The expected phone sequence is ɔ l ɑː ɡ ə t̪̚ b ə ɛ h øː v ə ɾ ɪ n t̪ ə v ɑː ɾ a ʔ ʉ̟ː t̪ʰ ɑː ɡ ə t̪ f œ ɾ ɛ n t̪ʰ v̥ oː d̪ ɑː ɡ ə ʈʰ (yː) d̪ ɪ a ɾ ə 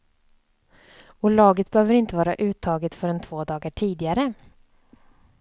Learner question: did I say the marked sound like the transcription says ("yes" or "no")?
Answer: no